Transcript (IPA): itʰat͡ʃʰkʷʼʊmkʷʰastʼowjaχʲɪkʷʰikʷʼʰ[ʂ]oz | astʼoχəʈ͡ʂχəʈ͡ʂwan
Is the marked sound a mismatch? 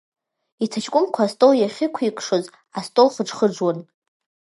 no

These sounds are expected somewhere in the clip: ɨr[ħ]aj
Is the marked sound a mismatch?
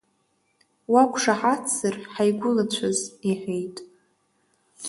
no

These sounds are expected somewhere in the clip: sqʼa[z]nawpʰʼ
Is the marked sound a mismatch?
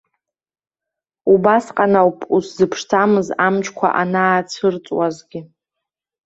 yes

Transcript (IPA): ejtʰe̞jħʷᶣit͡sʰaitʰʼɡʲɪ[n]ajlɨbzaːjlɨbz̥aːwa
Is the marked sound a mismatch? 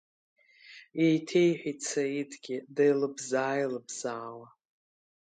yes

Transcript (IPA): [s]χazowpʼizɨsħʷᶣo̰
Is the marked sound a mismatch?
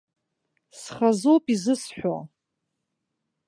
no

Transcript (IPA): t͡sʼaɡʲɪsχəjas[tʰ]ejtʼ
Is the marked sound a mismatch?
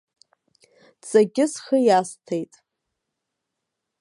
no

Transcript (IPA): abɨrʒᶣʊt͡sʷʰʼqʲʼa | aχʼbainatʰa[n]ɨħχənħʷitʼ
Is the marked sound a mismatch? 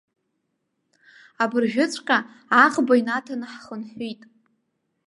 no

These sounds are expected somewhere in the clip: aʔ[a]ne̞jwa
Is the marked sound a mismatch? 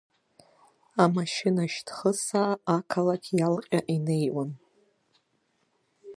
yes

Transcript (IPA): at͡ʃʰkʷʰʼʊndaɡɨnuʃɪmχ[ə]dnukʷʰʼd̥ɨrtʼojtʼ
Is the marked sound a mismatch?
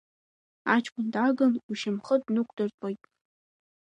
no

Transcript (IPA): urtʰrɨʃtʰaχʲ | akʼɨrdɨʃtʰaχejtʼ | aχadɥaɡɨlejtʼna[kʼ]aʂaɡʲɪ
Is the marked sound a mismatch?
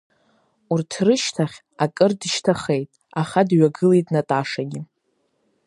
yes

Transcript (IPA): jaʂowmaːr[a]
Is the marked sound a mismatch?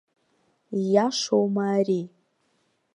yes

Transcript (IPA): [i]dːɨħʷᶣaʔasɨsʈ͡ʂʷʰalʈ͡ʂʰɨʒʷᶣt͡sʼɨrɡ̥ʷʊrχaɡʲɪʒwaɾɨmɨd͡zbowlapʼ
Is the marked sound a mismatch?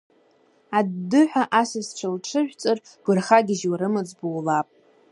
yes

